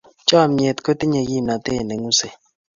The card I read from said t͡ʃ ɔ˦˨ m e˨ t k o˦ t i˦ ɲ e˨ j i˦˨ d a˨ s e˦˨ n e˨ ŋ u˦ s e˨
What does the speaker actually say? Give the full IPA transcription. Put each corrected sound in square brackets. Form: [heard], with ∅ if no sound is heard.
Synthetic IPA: t͡ʃ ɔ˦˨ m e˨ t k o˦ t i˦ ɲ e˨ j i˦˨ [n] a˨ [t] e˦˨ n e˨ ŋ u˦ s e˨

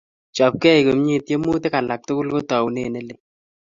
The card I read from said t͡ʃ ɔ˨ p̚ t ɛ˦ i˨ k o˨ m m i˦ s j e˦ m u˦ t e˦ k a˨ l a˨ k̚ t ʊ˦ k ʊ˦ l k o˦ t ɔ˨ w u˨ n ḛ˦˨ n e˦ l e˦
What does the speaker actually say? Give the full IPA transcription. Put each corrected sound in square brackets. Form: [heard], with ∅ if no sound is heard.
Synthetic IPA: t͡ʃ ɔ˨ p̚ [k] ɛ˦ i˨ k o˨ m [ɲ] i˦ [t] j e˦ m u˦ t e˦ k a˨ l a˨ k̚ t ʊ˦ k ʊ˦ l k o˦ t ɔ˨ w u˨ n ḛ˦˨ n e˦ l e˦

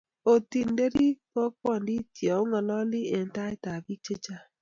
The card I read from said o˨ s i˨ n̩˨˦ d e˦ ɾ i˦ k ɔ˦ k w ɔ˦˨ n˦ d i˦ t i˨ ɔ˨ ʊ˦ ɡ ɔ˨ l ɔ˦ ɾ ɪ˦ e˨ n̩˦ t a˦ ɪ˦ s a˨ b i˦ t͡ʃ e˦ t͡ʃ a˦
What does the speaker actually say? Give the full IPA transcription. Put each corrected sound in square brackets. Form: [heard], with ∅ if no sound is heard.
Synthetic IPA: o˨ [t] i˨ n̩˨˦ d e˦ ɾ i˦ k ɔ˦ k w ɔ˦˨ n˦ d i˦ t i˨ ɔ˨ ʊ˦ [ŋ] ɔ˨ l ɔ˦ [l] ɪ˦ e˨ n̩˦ t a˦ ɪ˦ [t] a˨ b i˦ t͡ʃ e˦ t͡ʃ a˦

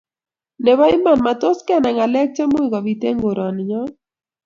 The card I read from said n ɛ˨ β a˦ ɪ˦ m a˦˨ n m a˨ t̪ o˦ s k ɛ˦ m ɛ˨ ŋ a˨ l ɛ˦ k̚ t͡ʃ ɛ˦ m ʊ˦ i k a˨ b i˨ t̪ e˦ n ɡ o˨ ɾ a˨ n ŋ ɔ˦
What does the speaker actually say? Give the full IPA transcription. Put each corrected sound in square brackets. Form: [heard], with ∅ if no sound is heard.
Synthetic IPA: n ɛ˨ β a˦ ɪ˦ m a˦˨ n m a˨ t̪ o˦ s k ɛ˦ [n] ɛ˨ ŋ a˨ l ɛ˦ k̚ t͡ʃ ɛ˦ m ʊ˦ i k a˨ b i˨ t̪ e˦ [ŋ] ɡ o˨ ɾ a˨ n [ɲ] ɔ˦

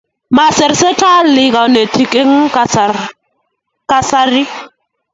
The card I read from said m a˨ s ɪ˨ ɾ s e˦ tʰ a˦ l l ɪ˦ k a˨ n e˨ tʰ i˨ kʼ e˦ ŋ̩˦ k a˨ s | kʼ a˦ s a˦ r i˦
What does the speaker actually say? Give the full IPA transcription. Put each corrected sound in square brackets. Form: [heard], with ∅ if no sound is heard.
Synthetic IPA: m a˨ s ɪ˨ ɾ s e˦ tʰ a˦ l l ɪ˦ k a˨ n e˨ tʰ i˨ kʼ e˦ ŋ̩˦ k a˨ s | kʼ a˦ s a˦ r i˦

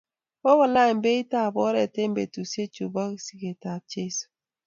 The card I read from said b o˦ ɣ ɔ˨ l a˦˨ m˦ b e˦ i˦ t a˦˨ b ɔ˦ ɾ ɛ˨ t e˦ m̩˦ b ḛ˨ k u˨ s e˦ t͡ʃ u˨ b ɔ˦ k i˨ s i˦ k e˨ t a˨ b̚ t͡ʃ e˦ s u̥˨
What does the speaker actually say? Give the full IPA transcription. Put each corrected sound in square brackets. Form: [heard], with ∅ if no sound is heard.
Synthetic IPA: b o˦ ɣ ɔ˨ l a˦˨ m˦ b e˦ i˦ t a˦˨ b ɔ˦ ɾ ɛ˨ t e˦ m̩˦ b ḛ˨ [t] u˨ s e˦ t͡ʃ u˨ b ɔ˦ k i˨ s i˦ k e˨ t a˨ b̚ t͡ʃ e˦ s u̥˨

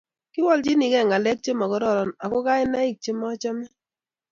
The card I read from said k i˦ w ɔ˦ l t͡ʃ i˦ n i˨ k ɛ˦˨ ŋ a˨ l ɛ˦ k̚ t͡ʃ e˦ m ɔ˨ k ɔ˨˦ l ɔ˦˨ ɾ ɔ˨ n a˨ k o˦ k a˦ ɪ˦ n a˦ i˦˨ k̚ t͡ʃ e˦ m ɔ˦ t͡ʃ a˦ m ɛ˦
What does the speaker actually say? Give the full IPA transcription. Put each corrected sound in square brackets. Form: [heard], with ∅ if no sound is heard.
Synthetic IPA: k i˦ w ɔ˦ l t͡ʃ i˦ n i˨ k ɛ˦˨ ŋ a˨ l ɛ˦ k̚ t͡ʃ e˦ m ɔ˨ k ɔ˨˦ [ɾ] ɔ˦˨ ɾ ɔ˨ n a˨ k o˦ k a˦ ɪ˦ n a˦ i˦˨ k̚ t͡ʃ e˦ m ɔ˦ t͡ʃ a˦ m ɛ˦

